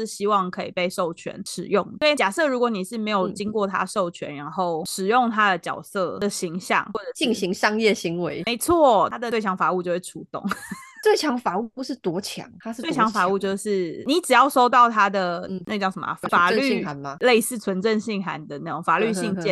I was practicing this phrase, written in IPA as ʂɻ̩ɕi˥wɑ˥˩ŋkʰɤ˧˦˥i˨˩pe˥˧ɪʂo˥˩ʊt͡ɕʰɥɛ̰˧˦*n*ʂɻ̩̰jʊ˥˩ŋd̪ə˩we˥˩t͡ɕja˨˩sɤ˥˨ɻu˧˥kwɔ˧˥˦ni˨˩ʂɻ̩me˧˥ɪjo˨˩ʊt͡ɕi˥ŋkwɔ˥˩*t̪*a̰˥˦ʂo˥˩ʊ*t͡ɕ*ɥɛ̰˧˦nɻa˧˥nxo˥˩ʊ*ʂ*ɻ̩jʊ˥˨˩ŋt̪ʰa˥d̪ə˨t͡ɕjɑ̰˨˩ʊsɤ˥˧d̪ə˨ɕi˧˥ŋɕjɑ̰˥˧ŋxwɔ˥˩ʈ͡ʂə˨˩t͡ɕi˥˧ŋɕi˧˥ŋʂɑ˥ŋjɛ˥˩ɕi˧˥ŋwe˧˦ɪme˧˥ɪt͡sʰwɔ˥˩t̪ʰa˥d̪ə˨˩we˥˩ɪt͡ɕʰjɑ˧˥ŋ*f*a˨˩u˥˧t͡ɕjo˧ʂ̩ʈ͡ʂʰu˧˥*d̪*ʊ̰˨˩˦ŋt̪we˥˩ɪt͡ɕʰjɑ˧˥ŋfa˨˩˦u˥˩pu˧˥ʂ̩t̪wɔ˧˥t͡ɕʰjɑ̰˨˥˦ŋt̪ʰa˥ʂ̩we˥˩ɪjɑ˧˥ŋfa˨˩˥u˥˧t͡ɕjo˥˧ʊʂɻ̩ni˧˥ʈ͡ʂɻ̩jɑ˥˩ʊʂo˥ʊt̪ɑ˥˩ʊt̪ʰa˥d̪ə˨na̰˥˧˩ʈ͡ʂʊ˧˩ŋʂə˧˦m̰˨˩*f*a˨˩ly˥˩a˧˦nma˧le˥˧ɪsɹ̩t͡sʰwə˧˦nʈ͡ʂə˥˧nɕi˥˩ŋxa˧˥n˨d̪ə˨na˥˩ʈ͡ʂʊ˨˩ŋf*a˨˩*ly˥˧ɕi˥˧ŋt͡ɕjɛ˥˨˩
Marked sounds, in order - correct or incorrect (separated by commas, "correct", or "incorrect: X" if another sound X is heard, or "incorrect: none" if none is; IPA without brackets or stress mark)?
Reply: correct, incorrect: t̪ʰ, incorrect: t͡ɕʰ, correct, correct, incorrect: t̪, correct, correct